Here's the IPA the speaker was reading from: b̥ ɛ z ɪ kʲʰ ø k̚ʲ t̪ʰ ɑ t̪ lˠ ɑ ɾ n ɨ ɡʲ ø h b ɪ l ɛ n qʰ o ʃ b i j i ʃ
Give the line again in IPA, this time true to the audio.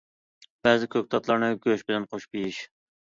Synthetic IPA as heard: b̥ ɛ z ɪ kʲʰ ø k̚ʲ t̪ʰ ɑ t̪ lˠ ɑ ɾ n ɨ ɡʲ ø ʃ b ɪ l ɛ n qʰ o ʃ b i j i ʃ